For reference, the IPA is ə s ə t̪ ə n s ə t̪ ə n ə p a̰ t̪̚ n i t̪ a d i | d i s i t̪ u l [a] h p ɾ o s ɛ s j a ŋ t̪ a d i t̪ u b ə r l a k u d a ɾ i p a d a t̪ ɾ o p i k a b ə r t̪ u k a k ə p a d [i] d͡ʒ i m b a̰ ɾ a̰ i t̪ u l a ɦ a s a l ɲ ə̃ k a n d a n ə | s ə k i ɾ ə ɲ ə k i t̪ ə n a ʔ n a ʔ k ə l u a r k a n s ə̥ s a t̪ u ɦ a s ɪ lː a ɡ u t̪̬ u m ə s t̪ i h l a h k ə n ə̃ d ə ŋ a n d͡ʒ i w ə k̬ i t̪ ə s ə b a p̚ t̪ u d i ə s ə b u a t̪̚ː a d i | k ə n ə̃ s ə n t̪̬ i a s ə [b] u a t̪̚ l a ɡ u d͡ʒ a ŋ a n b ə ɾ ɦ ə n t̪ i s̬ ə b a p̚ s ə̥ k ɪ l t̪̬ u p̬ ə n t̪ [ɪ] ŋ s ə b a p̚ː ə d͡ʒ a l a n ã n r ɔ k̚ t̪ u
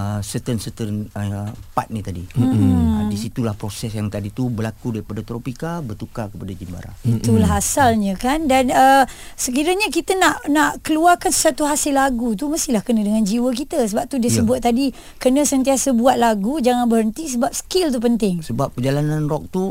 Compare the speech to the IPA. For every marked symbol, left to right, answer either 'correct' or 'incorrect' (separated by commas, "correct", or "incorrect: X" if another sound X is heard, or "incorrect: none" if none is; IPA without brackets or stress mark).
correct, incorrect: a, correct, correct